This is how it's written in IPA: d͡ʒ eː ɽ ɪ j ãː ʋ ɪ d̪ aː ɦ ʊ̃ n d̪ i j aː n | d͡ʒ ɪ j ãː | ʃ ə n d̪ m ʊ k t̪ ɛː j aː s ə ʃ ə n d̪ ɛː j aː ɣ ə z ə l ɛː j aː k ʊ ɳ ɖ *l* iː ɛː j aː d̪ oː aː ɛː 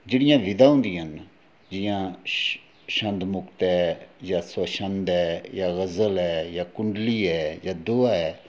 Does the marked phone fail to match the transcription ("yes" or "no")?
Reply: no